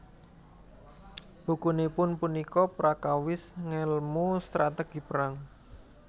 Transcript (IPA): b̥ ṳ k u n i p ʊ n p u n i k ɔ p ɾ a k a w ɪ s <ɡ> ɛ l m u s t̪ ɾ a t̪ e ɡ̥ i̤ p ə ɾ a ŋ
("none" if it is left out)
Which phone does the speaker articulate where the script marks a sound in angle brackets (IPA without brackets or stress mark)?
ŋ